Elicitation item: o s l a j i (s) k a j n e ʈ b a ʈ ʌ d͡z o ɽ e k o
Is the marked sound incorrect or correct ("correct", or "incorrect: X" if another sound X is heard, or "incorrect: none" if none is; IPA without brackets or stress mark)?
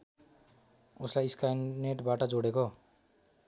correct